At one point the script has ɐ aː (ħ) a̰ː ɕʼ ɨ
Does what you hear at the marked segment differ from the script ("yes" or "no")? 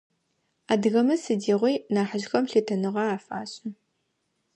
yes